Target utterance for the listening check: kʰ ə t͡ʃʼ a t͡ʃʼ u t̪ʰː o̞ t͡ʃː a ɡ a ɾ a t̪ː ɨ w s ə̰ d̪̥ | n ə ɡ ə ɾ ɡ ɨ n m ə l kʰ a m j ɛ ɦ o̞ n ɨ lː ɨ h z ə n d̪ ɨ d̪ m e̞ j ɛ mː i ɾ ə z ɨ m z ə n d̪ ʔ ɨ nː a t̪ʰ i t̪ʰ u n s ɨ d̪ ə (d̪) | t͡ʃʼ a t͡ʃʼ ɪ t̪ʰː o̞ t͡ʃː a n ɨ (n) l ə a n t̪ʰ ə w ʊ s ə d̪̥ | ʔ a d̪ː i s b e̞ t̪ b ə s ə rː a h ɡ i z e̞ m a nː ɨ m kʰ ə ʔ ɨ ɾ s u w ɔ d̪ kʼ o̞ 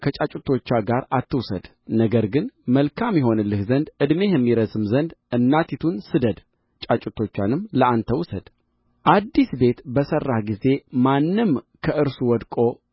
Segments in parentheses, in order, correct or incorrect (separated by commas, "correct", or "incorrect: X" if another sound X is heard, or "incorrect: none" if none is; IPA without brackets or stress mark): correct, incorrect: m